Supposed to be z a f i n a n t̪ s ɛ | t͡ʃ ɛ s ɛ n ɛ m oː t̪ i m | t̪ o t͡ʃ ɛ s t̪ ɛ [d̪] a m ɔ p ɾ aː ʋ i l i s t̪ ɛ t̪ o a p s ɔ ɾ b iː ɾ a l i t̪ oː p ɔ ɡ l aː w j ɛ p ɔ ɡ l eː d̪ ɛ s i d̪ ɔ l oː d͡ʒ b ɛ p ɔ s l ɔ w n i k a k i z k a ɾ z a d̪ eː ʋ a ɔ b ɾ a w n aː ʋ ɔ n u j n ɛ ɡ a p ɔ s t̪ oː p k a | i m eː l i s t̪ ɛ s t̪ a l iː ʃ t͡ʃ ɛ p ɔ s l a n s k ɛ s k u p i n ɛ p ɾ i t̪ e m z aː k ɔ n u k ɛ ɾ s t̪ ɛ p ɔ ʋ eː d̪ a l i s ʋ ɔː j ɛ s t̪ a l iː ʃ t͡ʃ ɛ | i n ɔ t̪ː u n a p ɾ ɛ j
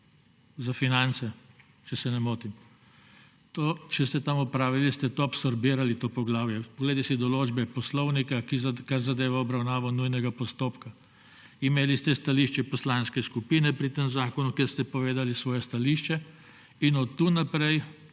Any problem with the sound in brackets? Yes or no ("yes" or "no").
yes